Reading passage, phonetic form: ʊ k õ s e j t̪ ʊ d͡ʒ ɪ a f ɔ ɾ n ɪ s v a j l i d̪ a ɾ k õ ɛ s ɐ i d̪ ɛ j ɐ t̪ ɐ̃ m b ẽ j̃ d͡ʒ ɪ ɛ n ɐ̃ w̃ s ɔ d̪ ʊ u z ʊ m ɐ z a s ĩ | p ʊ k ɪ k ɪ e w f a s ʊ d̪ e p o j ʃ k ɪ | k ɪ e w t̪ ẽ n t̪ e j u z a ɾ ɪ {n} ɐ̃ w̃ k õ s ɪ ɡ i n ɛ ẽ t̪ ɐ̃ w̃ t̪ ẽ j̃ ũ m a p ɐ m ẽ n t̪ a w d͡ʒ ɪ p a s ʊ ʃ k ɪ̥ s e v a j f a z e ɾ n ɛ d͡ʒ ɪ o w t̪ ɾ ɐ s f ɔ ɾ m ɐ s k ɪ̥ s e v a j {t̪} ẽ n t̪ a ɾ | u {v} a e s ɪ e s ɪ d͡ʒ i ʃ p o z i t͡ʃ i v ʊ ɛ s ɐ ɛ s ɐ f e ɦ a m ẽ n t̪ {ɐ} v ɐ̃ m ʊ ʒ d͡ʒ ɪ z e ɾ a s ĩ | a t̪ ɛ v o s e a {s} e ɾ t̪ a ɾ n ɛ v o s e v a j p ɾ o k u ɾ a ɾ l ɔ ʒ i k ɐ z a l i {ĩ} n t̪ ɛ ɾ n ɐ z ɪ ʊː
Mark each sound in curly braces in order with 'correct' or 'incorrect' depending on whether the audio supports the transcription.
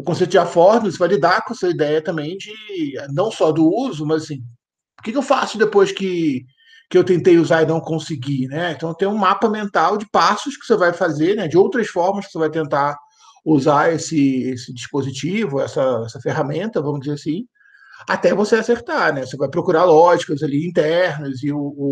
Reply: correct, correct, incorrect: z, correct, correct, correct

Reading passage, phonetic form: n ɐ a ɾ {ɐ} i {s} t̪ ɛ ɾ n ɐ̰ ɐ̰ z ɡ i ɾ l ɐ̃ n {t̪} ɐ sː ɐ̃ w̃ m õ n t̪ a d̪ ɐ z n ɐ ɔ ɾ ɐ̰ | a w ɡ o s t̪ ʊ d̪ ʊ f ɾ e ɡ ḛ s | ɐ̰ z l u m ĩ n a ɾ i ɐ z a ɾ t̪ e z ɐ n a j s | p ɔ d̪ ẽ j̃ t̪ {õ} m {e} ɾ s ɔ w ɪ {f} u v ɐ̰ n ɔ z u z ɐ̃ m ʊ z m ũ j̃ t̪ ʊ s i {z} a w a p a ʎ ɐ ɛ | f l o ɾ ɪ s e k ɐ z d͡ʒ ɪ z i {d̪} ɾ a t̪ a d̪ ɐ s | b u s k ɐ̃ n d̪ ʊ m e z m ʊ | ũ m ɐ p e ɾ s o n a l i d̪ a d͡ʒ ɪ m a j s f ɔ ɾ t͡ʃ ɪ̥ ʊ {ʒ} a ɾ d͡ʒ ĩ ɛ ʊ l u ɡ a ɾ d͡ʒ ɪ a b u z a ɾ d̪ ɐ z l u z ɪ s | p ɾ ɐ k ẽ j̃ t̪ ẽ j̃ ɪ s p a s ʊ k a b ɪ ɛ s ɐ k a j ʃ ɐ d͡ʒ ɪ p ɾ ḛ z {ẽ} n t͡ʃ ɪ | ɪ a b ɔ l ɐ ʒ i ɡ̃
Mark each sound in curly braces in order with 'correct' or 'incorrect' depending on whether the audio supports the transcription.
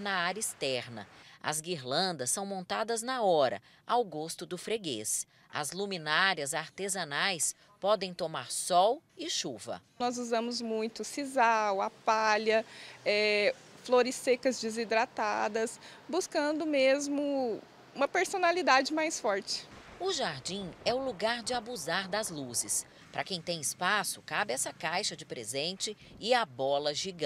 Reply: correct, correct, incorrect: d̪, incorrect: o, incorrect: a, incorrect: ʃ, correct, correct, correct, correct

